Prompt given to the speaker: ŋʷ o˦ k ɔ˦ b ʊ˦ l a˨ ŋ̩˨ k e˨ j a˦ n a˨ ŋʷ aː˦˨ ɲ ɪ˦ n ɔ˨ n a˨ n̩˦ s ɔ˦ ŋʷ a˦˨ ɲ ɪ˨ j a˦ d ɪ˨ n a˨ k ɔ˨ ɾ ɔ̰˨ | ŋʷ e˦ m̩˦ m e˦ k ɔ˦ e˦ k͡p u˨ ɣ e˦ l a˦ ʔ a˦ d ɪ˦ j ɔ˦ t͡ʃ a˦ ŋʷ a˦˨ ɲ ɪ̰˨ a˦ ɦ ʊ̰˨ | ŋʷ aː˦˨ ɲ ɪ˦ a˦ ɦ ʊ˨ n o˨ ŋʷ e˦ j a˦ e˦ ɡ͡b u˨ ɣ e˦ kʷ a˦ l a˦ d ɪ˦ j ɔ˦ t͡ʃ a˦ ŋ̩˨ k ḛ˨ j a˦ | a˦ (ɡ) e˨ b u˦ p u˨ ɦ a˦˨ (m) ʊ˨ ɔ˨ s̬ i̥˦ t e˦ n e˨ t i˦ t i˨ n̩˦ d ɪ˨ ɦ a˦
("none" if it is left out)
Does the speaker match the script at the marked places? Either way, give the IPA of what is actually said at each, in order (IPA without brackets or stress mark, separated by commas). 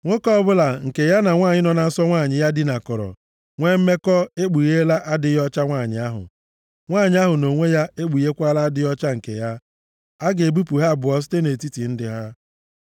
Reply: ɡ, b